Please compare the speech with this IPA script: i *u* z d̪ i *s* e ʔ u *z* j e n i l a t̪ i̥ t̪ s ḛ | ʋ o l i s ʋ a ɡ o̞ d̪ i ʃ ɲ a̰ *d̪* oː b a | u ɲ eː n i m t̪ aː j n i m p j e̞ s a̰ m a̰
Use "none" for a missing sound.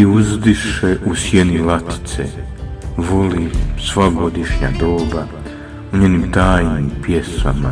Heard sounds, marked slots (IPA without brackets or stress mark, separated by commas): u, ʃ, s, d̪